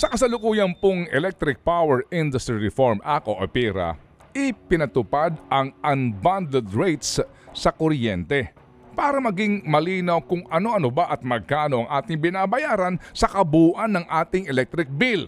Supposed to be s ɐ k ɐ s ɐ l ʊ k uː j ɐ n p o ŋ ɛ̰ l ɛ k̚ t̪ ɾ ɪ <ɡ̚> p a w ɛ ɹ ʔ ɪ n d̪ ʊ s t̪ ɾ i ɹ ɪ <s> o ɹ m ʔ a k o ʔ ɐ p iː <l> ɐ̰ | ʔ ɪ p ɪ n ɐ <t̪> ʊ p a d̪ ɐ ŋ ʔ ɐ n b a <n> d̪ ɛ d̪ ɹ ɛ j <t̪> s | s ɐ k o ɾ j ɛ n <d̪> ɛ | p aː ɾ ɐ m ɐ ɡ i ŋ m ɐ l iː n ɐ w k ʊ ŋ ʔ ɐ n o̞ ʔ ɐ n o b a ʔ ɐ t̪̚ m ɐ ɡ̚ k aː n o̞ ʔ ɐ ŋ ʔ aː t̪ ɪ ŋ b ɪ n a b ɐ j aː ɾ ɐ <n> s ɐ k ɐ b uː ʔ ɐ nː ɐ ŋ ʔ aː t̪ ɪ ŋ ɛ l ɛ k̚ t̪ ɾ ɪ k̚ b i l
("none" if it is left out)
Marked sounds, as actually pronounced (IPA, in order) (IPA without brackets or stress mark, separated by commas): k̚, f, ɾ, t̪, n, t̪, t̪, n